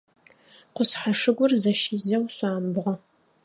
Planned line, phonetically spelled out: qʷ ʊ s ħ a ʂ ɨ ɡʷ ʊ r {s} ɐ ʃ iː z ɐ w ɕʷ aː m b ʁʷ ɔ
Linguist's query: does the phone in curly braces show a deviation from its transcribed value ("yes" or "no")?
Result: yes